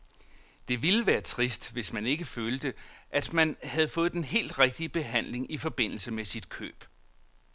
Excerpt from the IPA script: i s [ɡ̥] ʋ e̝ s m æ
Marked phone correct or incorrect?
incorrect